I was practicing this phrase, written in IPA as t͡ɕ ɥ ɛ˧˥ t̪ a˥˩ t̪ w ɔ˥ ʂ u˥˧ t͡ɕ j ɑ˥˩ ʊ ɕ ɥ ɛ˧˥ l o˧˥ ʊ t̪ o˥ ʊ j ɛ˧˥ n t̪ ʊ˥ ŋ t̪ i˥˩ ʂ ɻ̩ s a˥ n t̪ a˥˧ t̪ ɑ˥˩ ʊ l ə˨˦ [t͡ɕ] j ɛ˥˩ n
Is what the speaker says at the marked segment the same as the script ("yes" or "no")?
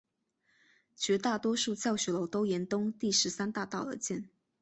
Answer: yes